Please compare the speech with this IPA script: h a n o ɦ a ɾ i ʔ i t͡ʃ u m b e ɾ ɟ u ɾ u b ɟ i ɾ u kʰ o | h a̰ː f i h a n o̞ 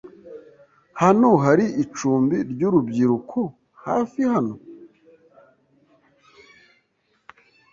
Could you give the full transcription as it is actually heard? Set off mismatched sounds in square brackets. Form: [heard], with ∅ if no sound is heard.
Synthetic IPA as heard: h a n o ɦ a ɾ i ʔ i t͡ʃ [uː] m b [i] ɾ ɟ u ɾ u b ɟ i ɾ u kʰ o | h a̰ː f i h a n o̞